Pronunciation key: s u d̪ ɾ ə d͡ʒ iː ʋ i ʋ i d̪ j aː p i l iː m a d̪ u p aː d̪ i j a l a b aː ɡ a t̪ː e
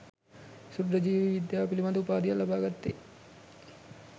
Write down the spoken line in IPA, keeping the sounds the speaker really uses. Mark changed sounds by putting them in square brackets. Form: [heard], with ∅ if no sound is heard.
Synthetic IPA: s u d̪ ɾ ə d͡ʒ iː ʋ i ʋ i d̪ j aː p i l [i] m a d̪ u p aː d̪ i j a l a b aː ɡ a t̪ː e